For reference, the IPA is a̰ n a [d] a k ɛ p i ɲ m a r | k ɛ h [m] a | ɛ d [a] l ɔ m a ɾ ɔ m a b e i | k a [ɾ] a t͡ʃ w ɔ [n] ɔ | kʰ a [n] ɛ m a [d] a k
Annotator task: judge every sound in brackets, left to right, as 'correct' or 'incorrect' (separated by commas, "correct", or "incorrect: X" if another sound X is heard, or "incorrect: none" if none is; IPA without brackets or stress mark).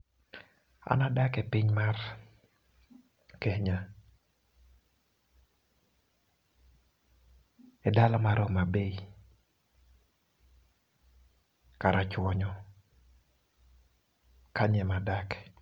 correct, incorrect: ɲ, correct, correct, incorrect: ɲ, incorrect: ɲ, correct